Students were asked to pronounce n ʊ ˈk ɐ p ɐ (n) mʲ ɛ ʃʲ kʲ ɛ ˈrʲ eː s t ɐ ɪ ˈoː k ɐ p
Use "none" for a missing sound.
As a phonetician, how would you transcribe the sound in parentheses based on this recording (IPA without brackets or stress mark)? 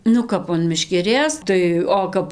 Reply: n